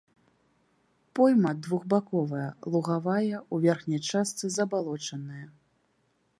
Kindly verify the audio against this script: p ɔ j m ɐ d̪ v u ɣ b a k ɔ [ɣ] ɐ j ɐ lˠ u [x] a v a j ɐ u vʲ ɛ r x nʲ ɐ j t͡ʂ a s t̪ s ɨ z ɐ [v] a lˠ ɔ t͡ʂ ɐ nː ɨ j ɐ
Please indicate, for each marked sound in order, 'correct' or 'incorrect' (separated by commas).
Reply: incorrect, incorrect, incorrect